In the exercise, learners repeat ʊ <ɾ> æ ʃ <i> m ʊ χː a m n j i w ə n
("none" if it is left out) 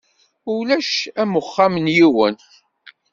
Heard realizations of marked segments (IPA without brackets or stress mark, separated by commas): l, æ